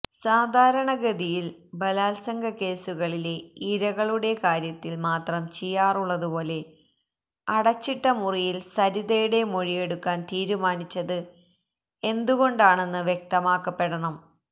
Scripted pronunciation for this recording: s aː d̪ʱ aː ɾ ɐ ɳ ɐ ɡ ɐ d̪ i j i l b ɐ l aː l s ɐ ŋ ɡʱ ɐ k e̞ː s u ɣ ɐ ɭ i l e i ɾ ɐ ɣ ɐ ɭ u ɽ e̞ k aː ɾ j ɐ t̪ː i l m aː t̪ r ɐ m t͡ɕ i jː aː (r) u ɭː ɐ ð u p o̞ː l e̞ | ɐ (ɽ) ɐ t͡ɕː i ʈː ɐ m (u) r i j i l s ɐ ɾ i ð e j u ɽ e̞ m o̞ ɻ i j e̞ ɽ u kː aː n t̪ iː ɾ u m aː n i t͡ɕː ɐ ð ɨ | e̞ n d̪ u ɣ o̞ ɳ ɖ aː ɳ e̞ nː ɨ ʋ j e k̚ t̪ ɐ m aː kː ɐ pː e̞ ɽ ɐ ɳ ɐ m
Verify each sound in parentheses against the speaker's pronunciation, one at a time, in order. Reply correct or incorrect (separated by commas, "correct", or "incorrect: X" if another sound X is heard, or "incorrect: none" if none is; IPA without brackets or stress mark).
correct, correct, correct